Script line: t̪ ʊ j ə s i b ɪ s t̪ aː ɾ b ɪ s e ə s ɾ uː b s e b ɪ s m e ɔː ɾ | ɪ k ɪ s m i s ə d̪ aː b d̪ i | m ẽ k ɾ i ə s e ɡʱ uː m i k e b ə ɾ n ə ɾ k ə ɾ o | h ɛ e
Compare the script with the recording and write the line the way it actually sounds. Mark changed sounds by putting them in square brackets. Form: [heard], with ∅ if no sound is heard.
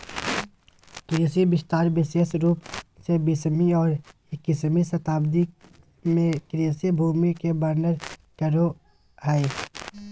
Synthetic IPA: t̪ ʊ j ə s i b ɪ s t̪ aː ɾ b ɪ s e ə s ɾ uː [p] s e b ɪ s m [i] ɔː ɾ | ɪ k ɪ s m i s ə [t̪] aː b d̪ i | m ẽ k ɾ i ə s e [bʱ] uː m i k e b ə ɾ n ə ɾ k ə ɾ o | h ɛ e